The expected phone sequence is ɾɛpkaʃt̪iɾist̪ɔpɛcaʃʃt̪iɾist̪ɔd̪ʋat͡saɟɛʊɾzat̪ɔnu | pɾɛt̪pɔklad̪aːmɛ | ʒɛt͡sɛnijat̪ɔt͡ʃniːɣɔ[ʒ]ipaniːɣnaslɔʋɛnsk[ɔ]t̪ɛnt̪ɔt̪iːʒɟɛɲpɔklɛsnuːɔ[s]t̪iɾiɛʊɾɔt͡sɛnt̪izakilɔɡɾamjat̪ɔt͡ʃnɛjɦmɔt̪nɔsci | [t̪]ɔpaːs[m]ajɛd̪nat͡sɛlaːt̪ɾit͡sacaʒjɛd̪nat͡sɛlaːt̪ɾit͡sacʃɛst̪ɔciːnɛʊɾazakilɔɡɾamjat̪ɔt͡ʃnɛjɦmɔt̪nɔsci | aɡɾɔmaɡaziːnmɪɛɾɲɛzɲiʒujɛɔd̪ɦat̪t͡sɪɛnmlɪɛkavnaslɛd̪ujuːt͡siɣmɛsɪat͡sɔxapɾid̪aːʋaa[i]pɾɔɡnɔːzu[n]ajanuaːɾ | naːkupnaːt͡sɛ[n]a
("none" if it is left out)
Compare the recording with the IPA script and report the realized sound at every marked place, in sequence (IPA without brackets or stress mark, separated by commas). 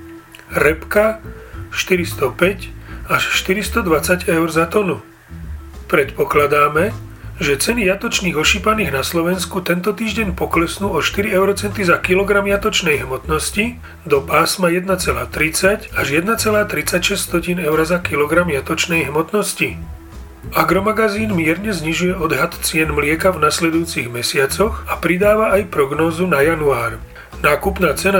ʃ, u, ʃ, d̪, m, j, n, n